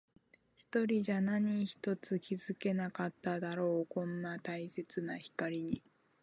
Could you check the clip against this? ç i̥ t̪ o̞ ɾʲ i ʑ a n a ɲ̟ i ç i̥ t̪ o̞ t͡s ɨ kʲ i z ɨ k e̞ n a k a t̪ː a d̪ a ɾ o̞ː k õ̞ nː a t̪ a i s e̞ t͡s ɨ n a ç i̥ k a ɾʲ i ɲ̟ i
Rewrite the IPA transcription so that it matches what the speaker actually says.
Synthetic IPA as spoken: ç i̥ t̪ o̞ ɾʲ i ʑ a n a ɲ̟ i ç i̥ t̪ o̞ t͡s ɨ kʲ i z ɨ k e̞ n a k a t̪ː a d̪ a ɾ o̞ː k õ̞ nː a t̪ a i s e̞ t͡s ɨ n a ç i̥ k a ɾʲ i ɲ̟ i